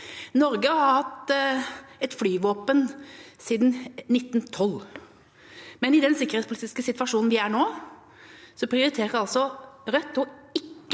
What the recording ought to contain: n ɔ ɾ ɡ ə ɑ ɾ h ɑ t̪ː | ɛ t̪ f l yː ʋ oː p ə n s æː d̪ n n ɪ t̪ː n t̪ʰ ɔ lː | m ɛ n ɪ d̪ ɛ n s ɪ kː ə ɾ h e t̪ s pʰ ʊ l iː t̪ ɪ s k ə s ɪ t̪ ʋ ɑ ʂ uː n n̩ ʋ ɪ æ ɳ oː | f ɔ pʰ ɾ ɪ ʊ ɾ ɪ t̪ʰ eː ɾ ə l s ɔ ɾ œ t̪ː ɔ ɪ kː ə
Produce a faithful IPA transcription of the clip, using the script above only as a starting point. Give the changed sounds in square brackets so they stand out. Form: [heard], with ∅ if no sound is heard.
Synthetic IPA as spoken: n ɔ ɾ ɡ ə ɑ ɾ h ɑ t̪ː | ɛ t̪ f l yː ʋ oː p ə n s [iː] d̪ n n ɪ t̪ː n t̪ʰ ɔ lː | m ɛ n ɪ d̪ ɛ n s ɪ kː ə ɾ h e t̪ s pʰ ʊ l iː t̪ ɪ s k ə s ɪ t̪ ʋ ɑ ʂ uː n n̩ ʋ ɪ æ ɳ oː | [s] ɔ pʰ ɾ ɪ ʊ ɾ ɪ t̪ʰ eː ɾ [ɑ] l s ɔ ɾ œ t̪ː ɔ ɪ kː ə